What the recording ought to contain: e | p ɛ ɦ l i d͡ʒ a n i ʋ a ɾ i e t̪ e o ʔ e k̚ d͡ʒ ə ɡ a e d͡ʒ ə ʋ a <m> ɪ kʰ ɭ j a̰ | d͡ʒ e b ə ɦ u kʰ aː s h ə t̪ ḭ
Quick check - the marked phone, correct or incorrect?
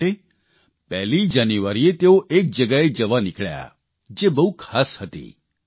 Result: incorrect